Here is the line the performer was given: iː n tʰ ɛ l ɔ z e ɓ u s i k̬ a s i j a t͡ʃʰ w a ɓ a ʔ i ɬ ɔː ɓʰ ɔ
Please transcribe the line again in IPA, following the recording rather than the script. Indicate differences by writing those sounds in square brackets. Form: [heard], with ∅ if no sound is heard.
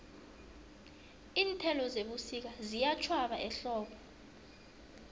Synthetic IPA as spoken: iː n tʰ ɛ l ɔ z e ɓ u s i k̬ a [z] i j a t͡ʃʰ w a ɓ a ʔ [ɛ] ɬ ɔː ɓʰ ɔ